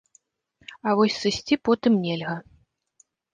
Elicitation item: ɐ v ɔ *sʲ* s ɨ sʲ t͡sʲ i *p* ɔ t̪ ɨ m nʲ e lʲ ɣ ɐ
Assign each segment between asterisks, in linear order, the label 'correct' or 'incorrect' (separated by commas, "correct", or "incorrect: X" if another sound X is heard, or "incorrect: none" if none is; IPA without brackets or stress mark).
correct, correct